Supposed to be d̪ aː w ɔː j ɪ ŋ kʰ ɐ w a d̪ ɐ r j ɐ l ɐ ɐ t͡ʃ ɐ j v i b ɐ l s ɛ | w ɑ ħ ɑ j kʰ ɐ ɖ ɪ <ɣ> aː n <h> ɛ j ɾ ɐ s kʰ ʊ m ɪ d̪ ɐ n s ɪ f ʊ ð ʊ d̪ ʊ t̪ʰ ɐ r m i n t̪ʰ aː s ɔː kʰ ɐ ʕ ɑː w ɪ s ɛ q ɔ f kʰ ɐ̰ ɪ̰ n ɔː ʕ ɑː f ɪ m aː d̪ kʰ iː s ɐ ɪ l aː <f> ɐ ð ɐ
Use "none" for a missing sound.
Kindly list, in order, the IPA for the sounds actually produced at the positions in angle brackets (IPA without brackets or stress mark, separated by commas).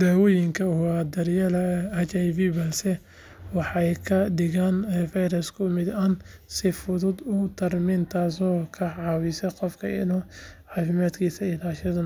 ɣ, f, ʃ